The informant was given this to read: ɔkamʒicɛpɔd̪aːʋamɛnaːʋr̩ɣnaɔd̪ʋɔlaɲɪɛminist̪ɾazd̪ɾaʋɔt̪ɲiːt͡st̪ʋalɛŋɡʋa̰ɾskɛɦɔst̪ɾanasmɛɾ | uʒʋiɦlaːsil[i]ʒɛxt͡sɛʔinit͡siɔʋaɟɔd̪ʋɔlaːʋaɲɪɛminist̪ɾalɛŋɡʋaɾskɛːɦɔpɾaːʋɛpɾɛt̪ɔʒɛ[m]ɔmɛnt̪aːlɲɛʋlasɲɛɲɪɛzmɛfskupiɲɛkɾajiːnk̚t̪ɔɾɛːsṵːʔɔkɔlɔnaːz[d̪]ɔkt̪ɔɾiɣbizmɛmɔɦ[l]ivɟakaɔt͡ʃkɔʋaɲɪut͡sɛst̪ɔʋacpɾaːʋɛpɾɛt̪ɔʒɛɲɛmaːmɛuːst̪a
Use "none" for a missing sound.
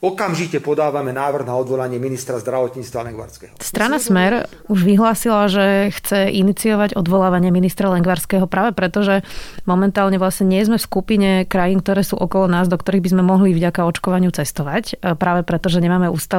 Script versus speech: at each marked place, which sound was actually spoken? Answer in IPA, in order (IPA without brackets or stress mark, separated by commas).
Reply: a, m, d̪, l